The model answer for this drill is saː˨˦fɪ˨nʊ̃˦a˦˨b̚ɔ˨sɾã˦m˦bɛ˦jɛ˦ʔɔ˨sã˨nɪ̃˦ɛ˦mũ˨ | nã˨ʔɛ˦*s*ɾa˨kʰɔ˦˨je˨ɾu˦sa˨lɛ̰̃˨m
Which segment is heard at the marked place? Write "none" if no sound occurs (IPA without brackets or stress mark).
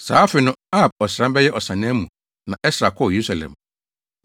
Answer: s